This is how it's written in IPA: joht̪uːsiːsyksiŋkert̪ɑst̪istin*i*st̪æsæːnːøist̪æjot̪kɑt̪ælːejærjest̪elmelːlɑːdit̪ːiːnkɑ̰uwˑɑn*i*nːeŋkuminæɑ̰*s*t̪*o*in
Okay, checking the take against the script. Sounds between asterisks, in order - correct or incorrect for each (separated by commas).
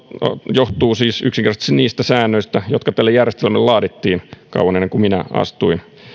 incorrect, incorrect, correct, incorrect